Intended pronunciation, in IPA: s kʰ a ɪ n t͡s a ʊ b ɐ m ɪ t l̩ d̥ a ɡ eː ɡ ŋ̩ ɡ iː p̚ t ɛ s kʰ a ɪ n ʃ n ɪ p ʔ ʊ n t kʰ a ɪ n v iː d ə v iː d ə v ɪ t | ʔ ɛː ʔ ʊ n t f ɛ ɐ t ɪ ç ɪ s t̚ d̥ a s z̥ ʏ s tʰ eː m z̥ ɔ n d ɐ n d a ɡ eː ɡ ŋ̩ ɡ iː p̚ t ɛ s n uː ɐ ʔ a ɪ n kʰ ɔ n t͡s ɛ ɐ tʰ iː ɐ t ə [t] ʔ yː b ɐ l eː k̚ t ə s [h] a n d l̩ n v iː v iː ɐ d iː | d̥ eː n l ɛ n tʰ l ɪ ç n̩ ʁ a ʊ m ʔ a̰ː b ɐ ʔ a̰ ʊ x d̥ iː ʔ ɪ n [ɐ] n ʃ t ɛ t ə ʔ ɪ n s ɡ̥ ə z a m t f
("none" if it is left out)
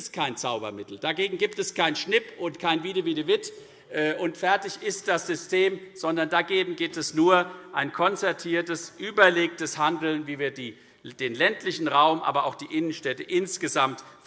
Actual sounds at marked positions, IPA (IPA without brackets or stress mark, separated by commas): s, h, ə